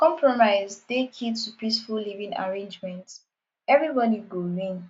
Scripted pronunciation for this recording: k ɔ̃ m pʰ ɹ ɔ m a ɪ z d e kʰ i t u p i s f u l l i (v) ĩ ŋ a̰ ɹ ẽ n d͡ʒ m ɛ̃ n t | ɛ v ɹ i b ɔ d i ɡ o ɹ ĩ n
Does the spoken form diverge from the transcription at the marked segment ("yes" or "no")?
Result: no